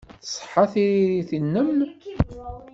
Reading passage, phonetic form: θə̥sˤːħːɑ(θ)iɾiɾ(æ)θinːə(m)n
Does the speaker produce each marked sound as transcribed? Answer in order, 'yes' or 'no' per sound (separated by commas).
yes, no, yes